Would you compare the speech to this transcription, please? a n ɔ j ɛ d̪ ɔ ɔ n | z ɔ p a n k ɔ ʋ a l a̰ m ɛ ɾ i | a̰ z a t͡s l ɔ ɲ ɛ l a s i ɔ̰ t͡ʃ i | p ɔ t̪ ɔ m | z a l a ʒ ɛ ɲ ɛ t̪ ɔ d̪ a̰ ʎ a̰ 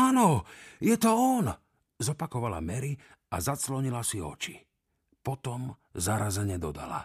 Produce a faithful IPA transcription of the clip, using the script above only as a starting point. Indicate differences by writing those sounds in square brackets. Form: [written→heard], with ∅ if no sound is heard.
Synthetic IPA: a n ɔ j ɛ [d̪→t̪] ɔ ɔ n | z ɔ p a [n→∅] k ɔ ʋ a l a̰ m ɛ ɾ i | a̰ z a t͡s l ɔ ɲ [ɛ→i] l a s i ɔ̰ t͡ʃ i | p ɔ t̪ ɔ m | z a [l→ɾ] a [ʒ→z] ɛ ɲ ɛ [t̪→d̪] ɔ d̪ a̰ [ʎ→l] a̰